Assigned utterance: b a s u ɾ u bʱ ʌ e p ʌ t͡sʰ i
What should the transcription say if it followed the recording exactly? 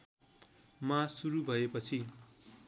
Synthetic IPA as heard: m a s u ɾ u bʱ ʌ e p ʌ t͡sʰ i